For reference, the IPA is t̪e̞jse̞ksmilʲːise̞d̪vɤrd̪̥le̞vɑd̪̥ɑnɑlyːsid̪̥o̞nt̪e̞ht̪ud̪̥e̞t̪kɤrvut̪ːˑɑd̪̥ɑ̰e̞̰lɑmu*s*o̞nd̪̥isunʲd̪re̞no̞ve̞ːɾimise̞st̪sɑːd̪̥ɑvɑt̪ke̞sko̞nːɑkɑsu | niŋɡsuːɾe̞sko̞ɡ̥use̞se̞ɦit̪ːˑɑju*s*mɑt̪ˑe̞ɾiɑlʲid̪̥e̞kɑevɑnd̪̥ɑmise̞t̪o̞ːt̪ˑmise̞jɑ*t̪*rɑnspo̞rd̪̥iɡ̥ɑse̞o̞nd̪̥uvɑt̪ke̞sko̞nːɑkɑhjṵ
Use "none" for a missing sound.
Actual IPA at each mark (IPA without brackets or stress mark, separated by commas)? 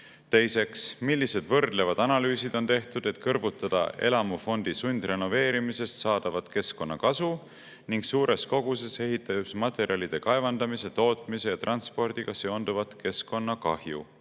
f, s, t̪